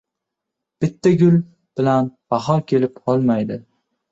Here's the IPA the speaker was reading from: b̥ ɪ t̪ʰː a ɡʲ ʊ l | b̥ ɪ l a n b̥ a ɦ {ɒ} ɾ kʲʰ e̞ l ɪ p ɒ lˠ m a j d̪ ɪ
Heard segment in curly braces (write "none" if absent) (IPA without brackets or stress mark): ɒ